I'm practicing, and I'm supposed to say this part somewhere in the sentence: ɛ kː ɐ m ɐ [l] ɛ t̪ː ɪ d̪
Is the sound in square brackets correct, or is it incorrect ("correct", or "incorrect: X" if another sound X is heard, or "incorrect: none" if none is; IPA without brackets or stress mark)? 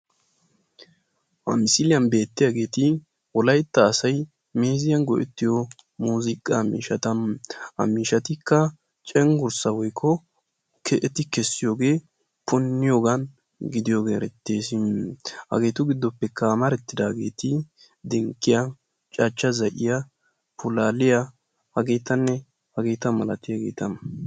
incorrect: ɾ